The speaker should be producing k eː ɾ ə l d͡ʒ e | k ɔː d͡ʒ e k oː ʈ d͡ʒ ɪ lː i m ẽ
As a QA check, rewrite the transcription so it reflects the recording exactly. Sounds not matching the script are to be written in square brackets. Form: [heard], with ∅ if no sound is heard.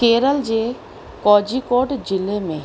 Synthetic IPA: k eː ɾ ə l d͡ʒ e | k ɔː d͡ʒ [i] k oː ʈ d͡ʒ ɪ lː [e] m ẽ